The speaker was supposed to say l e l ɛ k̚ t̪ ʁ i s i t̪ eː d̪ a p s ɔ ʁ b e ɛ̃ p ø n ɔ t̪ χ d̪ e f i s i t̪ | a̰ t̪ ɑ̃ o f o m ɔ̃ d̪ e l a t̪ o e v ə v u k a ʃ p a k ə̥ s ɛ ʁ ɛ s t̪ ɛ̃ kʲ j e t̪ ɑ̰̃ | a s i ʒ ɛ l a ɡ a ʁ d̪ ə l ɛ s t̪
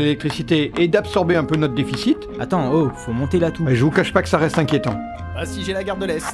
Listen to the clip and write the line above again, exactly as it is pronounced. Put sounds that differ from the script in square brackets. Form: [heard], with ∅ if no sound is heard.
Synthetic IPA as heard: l e l ɛ k̚ t̪ [χ] i s i t̪ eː d̪ a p s ɔ ʁ b e ɛ̃ p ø n ɔ t̪ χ d̪ e f i s i t̪ | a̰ t̪ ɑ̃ o f o m ɔ̃ [t̪] e l a t̪ [u] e [ʒ] ə v u k a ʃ p a k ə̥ s [a] ʁ ɛ s t̪ ɛ̃ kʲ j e t̪ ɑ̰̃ | a s i ʒ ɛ l a ɡ a ʁ d̪ ə l ɛ s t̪